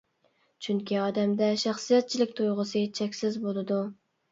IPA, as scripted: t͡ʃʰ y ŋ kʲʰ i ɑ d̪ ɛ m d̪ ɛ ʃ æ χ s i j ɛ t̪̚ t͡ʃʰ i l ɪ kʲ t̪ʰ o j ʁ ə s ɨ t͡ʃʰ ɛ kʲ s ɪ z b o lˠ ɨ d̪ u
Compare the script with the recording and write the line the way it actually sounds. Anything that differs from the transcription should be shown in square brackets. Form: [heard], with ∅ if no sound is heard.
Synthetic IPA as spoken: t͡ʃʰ y ŋ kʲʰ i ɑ d̪ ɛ m d̪ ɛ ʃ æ χ s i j ɛ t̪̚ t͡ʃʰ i l ɪ kʲ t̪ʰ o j ʁ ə s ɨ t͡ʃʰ ɛ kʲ s ɪ z b o lˠ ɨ d̪ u